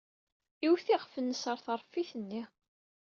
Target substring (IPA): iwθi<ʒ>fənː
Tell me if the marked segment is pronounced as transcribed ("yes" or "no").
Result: no